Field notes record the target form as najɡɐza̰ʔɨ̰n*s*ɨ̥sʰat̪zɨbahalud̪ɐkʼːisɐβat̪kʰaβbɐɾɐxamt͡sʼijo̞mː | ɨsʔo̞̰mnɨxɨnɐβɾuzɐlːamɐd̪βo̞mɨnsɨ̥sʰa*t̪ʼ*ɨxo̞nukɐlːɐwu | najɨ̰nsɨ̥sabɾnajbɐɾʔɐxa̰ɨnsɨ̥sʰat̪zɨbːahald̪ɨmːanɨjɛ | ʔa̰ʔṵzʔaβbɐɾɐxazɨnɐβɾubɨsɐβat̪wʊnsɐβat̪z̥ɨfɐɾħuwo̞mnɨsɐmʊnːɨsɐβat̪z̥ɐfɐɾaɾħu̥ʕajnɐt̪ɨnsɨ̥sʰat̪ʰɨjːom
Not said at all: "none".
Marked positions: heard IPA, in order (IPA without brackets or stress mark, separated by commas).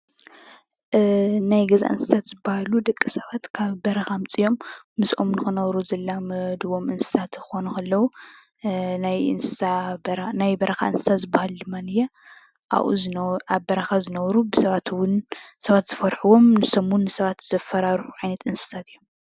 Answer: s, t̪